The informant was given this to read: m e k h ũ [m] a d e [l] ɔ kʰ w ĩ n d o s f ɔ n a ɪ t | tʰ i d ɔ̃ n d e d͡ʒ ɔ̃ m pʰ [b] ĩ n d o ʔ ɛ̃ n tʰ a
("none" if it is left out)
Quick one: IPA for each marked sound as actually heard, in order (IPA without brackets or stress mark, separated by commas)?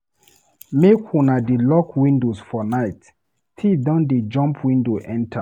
n, l, w